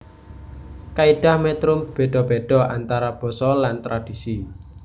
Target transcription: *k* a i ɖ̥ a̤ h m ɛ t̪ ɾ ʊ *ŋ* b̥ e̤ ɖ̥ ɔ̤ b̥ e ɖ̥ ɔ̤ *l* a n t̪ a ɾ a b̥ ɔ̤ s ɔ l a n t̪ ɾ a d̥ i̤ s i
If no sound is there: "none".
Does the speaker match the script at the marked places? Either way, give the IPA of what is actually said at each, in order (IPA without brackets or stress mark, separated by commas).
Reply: k, m, none